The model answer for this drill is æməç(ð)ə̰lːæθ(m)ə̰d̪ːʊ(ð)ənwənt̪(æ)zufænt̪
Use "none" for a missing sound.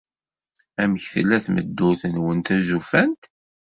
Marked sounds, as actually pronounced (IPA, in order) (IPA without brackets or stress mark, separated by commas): θ, m, θ, æ